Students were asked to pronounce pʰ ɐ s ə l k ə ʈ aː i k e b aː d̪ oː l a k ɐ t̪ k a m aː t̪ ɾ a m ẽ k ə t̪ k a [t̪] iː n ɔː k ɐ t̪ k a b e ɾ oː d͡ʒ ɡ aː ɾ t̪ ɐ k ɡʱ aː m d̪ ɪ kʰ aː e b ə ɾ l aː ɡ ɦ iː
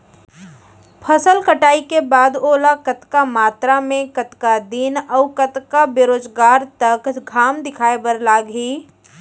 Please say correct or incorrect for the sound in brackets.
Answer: incorrect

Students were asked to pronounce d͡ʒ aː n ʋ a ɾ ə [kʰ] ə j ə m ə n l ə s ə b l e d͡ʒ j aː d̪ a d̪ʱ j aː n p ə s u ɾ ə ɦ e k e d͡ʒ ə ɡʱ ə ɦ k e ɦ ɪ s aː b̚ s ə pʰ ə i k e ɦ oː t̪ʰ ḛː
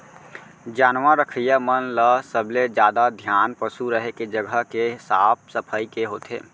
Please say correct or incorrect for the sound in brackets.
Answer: correct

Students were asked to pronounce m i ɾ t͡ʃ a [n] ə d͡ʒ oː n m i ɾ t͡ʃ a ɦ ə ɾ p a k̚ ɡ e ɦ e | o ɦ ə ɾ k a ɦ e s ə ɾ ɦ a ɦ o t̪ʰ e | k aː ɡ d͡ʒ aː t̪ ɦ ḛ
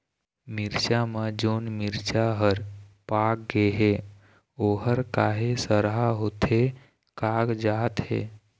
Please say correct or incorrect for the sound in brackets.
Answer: incorrect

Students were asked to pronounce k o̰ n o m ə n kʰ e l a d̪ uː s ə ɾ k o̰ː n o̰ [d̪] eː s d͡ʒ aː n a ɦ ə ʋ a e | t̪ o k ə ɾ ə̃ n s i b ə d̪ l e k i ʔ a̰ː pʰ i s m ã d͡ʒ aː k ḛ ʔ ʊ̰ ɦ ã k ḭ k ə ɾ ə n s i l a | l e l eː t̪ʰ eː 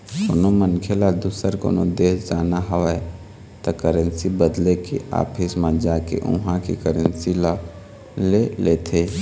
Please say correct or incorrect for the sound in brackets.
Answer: correct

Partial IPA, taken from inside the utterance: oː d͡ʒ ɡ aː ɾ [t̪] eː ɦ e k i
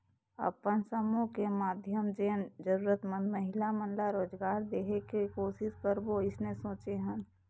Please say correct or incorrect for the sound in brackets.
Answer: incorrect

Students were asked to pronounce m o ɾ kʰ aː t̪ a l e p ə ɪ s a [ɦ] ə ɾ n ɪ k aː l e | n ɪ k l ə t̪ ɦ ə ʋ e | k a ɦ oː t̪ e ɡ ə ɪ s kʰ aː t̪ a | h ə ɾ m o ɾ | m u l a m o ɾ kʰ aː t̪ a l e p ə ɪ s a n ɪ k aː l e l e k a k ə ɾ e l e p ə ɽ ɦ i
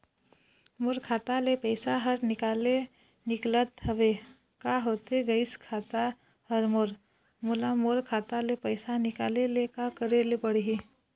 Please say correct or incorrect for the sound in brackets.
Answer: correct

